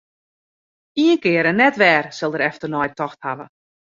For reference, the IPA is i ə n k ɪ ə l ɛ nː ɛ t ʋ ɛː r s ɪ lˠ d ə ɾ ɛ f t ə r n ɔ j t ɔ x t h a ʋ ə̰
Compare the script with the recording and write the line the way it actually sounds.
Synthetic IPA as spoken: i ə n k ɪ ə ɾ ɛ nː ɛ t ʋ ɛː r s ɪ lˠ d ə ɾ ɛ f t ə r n ɔ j t ɔ x t h a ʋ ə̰